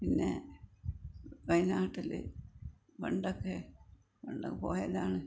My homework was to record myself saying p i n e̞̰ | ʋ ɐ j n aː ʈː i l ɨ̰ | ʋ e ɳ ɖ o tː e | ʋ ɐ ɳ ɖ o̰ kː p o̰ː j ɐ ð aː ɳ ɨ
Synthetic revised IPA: p i nː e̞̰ | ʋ ɐ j n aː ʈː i l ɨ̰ | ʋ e ɳ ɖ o kː e | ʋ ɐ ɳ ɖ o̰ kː p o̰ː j ɐ ð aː ɳ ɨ